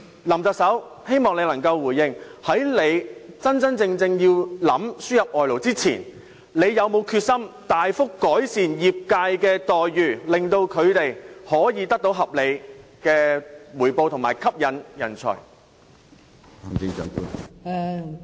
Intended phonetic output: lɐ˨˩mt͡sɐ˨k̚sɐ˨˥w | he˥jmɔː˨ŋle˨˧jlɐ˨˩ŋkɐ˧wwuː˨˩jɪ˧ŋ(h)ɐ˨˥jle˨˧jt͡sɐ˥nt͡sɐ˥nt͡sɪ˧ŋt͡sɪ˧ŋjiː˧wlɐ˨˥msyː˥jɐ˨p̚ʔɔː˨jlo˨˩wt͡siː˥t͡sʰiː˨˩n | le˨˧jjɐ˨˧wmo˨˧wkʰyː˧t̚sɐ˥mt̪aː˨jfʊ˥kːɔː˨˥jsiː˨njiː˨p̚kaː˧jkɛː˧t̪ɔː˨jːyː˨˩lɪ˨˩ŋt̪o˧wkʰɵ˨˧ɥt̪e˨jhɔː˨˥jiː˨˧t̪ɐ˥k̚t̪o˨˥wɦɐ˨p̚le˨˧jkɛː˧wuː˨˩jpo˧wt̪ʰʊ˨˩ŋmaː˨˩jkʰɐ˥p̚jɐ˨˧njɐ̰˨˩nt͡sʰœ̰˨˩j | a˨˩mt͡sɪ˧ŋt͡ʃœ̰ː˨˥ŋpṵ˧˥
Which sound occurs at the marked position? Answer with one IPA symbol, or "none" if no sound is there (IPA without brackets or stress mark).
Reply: h